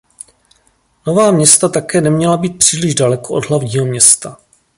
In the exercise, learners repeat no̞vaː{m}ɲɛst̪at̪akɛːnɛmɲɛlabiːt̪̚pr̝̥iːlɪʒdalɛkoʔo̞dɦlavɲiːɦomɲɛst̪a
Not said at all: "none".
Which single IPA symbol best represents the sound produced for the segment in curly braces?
m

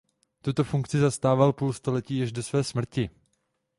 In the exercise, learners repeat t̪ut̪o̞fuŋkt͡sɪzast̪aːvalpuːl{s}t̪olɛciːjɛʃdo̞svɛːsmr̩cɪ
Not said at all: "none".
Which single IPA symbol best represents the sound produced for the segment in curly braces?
s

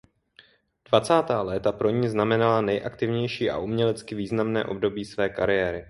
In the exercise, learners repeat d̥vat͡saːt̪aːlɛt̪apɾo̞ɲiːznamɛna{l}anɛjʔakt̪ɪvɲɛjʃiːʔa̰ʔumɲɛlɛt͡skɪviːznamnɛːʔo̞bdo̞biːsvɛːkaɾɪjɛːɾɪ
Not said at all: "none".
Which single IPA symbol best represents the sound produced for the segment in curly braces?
l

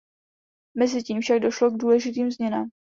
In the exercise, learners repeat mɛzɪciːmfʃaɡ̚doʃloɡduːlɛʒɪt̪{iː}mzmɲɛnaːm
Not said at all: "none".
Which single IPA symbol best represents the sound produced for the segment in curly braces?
iː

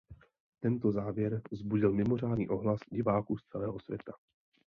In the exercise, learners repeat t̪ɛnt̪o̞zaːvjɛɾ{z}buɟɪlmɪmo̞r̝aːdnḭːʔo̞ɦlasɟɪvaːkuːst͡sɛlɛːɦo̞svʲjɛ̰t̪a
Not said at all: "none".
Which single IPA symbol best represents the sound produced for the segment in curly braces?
z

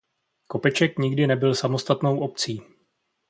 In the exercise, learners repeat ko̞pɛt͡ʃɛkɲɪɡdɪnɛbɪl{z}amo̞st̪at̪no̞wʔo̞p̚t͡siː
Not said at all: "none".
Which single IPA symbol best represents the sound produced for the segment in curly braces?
s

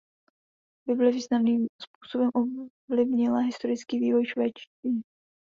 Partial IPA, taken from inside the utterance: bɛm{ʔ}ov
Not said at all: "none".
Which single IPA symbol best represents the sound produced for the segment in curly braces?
ʔ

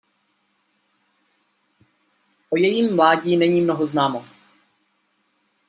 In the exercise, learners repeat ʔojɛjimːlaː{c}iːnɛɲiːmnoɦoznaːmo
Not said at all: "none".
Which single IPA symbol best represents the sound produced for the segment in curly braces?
ɟ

